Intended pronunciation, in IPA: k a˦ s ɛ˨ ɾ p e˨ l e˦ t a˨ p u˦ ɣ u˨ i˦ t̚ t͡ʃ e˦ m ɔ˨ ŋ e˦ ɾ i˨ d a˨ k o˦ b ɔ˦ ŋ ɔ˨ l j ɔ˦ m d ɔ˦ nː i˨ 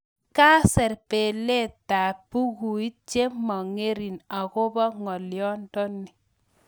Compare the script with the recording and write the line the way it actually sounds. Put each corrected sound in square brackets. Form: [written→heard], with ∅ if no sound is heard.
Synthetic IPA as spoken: k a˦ s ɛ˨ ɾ p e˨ l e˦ t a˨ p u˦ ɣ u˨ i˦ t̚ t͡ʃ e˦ m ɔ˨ ŋ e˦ ɾ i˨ [d→n] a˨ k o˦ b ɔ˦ ŋ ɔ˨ l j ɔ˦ [m→n] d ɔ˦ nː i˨